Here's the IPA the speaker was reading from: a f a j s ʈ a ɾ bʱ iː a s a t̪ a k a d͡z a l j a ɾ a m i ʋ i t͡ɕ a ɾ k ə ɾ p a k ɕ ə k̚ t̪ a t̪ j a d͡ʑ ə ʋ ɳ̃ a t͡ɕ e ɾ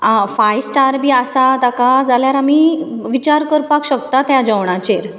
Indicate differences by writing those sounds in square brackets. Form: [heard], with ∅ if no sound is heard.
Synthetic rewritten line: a f a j s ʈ a ɾ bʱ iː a s a t̪ a k a d͡z a l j a ɾ a m i ʋ i t͡ɕ a ɾ k ə ɾ p a k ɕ ə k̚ t̪ a t̪ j a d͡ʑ ə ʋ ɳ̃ a t͡ɕ e ɾ